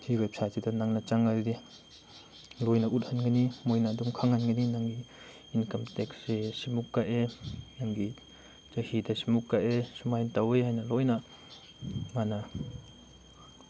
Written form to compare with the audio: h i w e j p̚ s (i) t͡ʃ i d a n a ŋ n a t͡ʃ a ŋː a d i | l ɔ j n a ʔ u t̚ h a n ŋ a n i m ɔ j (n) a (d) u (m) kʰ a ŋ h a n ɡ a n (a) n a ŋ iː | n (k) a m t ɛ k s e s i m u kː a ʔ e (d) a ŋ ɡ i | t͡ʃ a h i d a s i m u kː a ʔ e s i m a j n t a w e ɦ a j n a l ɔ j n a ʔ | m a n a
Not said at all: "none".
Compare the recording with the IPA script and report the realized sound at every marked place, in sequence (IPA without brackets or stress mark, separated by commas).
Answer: a, n, d, m, i, k, n